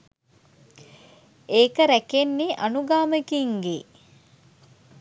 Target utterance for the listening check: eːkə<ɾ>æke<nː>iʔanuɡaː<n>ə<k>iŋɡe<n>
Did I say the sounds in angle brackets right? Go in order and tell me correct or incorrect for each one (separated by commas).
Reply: correct, correct, incorrect, correct, incorrect